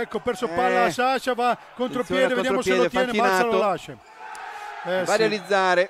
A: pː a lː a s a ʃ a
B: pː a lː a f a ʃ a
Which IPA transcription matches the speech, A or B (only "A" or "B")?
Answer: A